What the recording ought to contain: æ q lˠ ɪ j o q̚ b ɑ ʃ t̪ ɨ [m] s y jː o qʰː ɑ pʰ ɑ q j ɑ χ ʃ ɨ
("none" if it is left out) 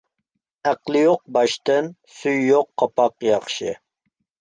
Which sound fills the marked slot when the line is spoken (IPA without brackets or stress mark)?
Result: n